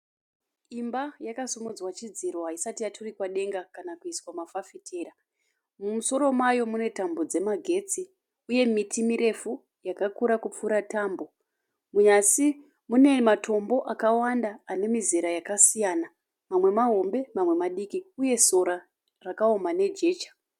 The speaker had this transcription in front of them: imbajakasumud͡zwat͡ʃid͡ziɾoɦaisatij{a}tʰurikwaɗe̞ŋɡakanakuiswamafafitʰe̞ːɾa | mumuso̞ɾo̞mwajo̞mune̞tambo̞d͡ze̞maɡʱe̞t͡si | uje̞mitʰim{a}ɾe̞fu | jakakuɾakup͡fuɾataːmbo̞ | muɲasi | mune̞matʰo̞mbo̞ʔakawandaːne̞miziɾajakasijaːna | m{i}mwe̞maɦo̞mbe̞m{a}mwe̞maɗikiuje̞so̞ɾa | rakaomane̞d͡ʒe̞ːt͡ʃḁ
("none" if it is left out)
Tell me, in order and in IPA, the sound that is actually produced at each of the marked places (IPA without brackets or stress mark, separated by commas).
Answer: a, i, a, a